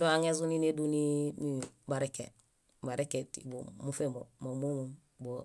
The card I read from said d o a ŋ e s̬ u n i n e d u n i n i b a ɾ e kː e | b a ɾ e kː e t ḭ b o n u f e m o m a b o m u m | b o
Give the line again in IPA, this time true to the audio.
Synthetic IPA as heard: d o a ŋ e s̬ u n i n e d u n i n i b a ɾ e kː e | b a ɾ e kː e t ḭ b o m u f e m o m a m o m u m | b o